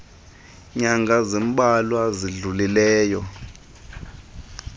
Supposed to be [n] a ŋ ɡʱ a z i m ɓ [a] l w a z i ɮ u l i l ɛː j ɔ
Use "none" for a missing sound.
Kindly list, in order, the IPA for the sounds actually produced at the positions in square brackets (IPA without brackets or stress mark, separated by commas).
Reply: ɲ, a